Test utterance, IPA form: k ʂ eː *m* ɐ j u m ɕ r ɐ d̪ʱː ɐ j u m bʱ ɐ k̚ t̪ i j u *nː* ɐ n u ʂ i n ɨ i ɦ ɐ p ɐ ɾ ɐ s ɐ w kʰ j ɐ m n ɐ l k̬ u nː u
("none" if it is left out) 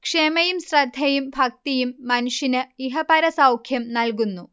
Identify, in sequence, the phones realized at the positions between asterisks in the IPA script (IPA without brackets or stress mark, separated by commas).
m, mː